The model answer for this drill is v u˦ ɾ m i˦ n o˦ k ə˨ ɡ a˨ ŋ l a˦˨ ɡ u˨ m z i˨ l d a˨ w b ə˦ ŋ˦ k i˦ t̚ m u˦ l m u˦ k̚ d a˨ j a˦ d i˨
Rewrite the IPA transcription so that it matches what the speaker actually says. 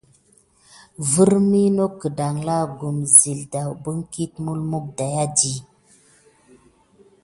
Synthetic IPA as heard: v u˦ ɾ m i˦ n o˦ k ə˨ d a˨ ŋ l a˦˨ ɡ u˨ m z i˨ l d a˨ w b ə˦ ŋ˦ k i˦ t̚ m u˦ l m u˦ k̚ d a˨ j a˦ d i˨

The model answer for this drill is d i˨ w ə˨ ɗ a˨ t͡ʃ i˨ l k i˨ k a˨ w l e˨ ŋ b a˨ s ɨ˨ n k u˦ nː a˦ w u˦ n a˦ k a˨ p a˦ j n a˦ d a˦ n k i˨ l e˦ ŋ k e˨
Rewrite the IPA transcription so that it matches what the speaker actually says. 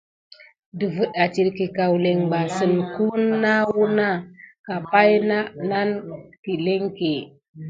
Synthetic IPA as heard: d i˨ v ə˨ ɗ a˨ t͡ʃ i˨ ɾ k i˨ k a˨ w l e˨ ŋ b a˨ s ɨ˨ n k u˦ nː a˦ w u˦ n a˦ k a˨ p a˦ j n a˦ n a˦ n k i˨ l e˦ ŋ k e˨

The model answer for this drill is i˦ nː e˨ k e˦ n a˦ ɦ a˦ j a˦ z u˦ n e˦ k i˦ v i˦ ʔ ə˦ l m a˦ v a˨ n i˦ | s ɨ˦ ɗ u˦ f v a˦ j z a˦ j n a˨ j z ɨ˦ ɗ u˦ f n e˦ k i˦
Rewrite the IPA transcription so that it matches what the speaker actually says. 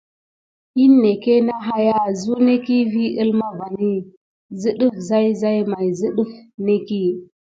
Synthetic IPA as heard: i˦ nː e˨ k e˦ n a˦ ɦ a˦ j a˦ z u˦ n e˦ k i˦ v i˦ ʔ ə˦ l m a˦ v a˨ n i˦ | z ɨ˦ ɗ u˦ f z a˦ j z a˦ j m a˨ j z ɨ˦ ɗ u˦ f n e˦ k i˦

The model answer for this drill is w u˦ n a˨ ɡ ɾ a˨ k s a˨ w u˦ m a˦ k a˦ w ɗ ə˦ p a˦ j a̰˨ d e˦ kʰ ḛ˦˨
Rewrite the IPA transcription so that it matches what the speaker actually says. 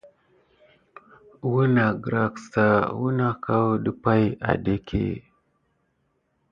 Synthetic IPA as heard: w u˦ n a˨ ɡ ɾ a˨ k s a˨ w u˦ n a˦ k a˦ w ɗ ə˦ p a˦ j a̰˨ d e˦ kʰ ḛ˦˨

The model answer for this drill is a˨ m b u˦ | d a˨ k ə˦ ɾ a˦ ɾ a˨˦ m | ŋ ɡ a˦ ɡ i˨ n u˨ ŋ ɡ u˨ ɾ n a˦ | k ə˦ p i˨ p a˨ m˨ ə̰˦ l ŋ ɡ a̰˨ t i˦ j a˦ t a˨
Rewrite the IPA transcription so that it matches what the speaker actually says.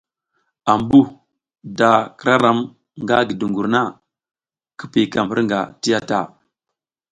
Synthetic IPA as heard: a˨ m b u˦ | d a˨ k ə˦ ɾ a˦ ɾ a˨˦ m | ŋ ɡ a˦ ɡ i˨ d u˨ ŋ ɡ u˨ ɾ n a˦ | k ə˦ p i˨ k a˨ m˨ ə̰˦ ɾ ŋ ɡ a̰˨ t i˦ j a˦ t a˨

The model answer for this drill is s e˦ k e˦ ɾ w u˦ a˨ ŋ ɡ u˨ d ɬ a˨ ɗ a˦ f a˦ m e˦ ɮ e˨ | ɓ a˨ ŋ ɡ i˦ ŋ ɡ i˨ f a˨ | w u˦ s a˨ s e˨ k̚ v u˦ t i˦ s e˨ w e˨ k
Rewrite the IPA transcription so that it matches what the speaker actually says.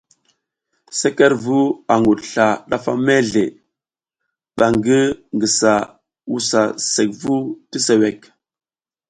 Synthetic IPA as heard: s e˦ k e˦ ɾ v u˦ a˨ ŋ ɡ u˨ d ɬ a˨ ɗ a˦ f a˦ m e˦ ɮ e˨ | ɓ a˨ ŋ ɡ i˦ ŋ ɡ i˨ s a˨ | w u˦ s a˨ s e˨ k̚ v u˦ t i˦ s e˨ w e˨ k

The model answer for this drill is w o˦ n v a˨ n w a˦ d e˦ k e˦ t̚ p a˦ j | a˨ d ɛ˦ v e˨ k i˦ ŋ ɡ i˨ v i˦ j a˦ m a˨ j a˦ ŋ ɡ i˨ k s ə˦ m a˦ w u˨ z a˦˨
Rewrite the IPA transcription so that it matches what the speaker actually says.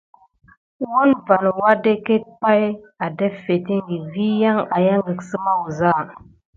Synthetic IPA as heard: w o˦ n v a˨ n w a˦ d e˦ k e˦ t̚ p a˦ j | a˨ d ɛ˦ f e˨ t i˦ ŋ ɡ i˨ v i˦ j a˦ ŋ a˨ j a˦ ŋ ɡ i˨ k s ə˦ m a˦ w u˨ z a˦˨

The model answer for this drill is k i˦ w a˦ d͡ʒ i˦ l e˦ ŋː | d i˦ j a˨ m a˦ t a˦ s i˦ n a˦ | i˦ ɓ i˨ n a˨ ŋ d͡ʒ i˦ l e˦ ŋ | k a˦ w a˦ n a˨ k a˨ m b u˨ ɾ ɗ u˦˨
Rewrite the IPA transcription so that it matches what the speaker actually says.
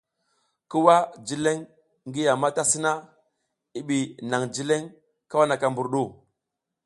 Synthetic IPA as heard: k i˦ w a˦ d͡ʒ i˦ l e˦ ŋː | ɡ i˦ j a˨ m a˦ t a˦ s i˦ n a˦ | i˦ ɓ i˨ n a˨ ŋ d͡ʒ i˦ l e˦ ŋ | k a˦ w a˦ n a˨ k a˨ m b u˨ ɾ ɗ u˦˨

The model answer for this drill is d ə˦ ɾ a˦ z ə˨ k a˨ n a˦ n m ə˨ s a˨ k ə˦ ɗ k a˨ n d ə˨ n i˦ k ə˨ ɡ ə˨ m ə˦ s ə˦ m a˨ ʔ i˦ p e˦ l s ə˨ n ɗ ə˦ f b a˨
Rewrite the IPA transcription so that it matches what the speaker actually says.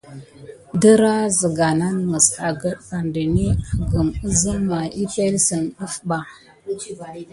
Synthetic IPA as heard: d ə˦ ɾ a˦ z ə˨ ɡ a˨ n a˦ n m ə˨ s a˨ ɡ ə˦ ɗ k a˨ n d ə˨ n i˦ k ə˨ ɡ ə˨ m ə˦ z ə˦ m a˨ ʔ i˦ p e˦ l s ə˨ n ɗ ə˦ f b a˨

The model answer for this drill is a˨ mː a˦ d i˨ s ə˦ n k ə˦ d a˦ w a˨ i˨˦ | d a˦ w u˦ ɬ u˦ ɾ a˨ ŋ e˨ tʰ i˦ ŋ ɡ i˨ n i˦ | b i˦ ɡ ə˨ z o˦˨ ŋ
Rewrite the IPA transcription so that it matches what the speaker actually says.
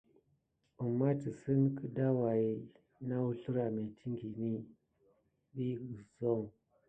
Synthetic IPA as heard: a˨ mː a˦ t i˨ s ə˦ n k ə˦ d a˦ w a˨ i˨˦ | n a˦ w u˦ ɬ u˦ ɾ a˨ m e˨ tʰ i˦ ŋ ɡ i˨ n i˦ | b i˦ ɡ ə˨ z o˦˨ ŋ

